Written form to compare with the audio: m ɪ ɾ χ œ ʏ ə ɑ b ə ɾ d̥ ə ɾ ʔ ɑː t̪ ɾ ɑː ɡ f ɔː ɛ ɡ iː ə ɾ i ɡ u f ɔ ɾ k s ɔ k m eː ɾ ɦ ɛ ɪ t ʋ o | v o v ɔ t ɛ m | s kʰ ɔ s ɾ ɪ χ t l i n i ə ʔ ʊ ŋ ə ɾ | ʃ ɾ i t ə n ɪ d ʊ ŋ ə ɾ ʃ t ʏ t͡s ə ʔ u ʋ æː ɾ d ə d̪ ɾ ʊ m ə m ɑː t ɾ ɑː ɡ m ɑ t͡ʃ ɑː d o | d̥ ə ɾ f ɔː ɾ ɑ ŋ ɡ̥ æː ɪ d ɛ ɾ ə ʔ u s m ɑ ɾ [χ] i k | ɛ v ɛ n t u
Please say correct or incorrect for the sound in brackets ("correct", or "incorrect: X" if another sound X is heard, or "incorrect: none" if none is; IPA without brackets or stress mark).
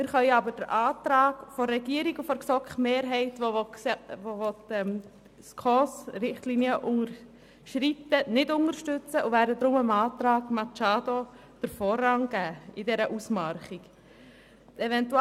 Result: correct